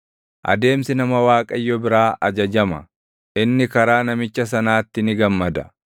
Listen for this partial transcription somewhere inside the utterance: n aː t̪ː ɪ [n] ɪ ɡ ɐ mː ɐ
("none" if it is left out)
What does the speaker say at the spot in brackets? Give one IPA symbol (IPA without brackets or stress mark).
n